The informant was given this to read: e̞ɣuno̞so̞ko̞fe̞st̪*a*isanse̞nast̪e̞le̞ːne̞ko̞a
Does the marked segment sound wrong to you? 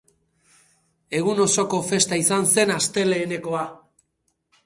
no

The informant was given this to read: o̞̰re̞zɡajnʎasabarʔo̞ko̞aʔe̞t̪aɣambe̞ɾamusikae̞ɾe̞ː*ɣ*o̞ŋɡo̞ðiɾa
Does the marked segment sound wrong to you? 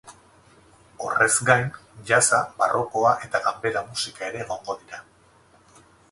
no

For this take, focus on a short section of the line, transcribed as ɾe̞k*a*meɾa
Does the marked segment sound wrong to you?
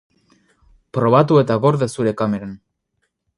no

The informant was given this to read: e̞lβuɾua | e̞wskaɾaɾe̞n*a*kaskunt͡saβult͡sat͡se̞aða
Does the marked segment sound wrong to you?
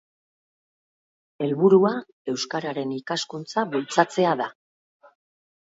yes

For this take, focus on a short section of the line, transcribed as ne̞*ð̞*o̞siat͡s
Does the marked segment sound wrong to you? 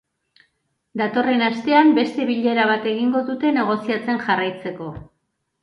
yes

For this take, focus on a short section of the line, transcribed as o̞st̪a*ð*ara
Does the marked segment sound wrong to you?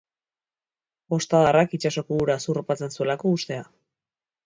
no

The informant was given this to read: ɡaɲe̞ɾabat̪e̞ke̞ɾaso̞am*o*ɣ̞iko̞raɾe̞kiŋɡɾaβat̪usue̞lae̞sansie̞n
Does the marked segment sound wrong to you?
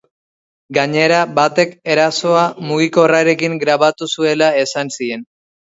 yes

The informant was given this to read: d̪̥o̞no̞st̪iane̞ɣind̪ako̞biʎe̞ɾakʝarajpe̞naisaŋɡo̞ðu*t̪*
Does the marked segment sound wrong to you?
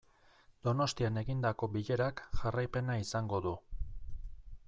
yes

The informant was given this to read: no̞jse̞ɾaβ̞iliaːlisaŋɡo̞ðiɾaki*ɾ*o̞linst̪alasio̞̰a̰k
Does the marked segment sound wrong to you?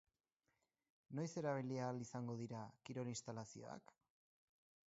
no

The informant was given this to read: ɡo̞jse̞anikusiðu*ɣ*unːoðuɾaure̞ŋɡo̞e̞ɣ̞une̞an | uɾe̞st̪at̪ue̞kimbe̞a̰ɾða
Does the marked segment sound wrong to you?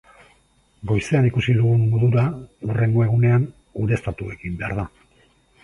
no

